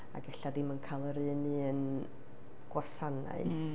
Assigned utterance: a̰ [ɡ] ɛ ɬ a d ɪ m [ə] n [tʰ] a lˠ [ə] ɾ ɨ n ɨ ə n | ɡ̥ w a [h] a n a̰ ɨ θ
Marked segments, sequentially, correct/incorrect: correct, correct, incorrect, correct, incorrect

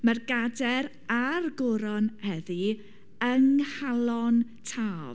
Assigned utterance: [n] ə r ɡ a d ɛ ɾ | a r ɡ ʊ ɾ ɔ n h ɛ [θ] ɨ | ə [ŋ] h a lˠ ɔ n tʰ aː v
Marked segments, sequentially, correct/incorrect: incorrect, incorrect, correct

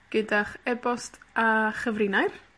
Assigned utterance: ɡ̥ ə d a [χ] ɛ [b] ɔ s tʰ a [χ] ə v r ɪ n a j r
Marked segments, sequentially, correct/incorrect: correct, correct, correct

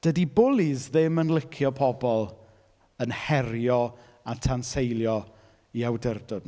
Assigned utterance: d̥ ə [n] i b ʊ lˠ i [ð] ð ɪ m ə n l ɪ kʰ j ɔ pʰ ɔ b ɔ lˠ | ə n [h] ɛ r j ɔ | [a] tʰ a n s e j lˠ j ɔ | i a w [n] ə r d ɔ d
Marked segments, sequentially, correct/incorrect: incorrect, incorrect, correct, correct, incorrect

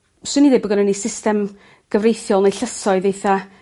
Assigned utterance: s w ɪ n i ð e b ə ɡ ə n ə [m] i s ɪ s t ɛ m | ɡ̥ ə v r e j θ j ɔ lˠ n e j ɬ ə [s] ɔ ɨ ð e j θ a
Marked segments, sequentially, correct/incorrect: incorrect, correct

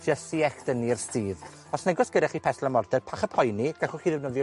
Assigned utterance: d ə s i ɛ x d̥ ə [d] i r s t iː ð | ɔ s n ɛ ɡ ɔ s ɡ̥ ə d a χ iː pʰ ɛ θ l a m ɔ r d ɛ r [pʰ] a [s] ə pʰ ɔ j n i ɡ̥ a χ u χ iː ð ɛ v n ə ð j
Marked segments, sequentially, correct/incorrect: incorrect, correct, incorrect

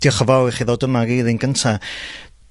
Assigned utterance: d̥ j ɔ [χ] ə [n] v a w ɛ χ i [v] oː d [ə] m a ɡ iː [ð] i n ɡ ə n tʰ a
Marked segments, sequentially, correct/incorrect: correct, incorrect, incorrect, correct, correct

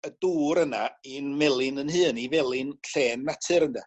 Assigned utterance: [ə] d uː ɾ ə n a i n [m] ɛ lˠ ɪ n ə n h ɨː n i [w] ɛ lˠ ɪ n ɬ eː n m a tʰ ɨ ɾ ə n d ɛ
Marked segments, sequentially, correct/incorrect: correct, correct, incorrect

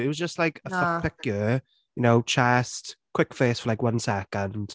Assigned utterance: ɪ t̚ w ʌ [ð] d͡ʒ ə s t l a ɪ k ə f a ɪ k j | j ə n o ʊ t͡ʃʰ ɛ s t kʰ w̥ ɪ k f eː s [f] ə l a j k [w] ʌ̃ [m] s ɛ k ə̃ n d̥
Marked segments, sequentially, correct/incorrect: incorrect, correct, correct, incorrect

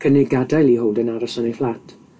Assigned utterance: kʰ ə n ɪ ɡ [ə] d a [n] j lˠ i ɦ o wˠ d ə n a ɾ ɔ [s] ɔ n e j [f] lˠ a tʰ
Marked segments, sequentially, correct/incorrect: incorrect, incorrect, correct, correct

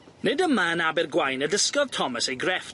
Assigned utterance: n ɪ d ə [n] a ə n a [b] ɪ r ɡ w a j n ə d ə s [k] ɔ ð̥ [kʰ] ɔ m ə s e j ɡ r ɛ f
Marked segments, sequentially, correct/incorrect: incorrect, correct, correct, incorrect

